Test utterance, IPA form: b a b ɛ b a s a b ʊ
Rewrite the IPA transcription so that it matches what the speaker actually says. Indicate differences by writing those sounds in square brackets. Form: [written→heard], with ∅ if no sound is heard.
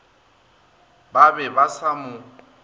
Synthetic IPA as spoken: b a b ɛ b a s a [b→m] ʊ